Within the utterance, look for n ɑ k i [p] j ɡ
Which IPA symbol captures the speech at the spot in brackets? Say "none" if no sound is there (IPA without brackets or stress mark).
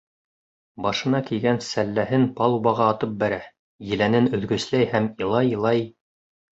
none